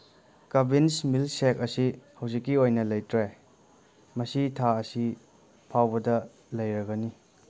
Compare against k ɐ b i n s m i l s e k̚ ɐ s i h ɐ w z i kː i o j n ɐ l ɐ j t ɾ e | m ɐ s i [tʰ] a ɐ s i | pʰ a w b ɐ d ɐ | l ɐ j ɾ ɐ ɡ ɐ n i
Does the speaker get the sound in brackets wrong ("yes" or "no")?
no